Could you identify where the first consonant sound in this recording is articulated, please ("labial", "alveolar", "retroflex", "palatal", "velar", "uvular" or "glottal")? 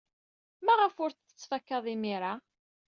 labial